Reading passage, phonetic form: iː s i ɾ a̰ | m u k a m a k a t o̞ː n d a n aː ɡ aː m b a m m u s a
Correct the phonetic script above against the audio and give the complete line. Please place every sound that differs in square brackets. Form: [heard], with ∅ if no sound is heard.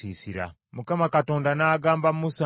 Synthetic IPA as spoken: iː s i ɾ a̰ | m u k a m a k a t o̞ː n d a n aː ɡ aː m b a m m u s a